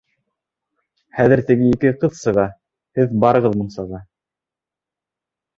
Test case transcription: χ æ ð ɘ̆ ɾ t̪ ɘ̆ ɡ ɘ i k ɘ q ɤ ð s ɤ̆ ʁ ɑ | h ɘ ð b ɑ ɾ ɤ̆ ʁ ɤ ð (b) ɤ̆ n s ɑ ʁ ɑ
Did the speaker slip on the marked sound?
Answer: yes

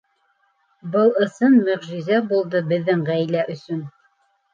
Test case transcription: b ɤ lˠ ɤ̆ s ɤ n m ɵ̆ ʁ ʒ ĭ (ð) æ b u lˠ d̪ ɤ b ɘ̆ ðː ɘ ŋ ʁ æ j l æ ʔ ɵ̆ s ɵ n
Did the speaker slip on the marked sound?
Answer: yes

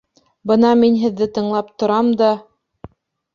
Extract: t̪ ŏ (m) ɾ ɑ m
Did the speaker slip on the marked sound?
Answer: yes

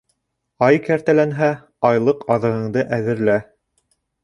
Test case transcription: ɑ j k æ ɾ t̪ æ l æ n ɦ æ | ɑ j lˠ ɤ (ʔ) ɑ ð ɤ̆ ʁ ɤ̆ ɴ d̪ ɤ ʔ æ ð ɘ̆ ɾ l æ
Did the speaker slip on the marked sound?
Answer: yes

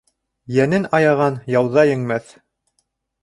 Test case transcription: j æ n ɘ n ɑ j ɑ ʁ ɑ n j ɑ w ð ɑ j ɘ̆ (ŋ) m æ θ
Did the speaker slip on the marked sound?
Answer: no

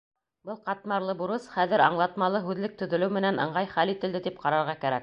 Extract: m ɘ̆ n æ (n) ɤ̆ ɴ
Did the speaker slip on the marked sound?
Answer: no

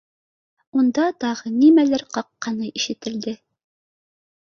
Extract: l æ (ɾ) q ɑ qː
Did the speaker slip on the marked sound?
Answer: no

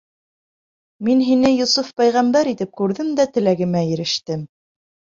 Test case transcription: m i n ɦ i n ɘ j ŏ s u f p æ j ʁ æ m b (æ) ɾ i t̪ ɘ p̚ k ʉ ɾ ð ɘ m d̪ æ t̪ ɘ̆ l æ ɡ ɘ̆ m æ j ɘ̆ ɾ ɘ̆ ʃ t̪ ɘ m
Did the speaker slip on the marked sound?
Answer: no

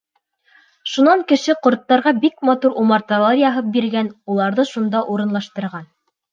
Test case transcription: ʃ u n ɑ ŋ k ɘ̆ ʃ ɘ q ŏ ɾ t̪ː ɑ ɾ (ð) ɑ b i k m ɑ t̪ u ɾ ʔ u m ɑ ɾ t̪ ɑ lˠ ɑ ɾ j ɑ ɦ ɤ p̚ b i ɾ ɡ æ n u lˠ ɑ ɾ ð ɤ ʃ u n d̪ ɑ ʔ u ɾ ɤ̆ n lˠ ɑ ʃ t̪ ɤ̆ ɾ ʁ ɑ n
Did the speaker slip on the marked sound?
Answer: yes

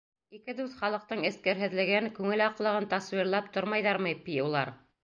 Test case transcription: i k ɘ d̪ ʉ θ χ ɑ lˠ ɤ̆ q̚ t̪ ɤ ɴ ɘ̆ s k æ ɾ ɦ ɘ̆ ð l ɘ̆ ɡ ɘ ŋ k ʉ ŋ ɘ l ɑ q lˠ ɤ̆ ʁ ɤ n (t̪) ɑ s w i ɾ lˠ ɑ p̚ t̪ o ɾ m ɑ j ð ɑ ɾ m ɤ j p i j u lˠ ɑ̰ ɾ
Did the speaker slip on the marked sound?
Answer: no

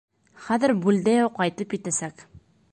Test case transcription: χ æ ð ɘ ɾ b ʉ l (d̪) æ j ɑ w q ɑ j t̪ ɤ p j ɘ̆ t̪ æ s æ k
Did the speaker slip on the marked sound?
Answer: no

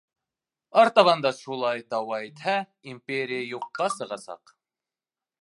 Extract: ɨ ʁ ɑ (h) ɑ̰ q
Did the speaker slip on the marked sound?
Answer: yes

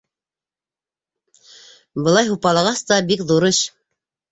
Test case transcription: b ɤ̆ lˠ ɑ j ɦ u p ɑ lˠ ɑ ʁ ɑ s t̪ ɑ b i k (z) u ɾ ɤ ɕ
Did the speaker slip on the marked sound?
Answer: yes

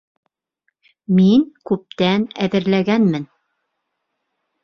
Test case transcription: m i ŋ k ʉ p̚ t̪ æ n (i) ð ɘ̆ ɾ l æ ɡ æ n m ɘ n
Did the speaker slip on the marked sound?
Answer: yes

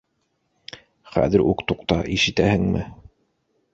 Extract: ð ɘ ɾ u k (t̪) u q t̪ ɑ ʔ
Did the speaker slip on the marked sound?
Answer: no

